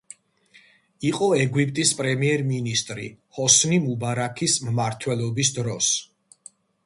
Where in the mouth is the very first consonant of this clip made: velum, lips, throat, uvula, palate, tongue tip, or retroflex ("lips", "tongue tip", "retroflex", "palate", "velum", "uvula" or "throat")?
uvula